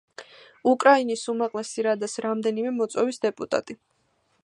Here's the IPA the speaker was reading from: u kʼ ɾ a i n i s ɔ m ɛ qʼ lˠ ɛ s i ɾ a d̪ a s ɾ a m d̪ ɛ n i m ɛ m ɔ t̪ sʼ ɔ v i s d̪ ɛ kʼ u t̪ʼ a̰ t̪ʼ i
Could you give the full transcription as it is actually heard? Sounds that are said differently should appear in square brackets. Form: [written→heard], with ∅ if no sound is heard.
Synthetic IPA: u kʼ ɾ a i n i s [ɔ→u] m [ɛ→a] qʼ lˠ ɛ s i ɾ a d̪ a s ɾ a m d̪ ɛ n i m ɛ m ɔ t̪ sʼ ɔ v i s d̪ ɛ [kʼ→pʼ] u t̪ʼ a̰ t̪ʼ i